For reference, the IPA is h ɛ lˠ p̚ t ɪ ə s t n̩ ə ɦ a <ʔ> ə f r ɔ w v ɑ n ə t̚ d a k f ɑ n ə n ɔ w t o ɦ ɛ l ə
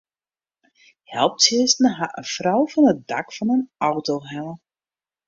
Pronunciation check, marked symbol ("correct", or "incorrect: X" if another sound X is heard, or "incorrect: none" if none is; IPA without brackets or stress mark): correct